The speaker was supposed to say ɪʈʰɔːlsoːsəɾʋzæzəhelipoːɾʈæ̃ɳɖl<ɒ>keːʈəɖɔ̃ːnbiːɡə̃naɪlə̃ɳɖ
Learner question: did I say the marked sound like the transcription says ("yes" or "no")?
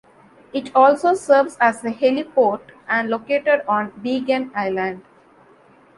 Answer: no